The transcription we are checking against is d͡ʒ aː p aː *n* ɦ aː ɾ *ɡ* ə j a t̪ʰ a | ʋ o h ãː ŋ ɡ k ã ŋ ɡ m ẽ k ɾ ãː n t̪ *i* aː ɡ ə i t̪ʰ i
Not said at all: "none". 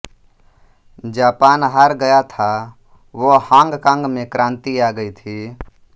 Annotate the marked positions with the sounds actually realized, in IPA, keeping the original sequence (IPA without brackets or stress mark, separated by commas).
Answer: n, ɡ, i